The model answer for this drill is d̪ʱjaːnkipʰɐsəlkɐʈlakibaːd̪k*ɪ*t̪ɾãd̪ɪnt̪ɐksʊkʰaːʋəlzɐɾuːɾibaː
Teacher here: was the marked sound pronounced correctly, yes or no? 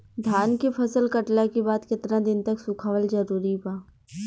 yes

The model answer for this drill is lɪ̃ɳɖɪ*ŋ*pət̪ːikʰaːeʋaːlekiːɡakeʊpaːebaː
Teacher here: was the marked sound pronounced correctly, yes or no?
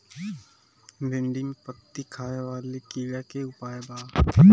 yes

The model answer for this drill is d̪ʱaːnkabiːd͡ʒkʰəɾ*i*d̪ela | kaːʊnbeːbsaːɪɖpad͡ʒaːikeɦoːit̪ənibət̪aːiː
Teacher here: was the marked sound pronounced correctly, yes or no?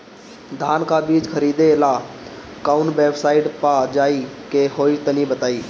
no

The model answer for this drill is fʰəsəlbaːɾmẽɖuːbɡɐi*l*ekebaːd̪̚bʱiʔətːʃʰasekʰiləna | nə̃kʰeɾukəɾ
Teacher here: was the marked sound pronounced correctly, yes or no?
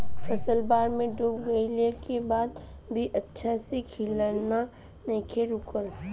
yes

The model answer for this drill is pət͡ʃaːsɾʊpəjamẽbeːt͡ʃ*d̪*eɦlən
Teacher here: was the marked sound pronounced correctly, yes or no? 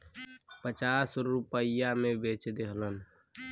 yes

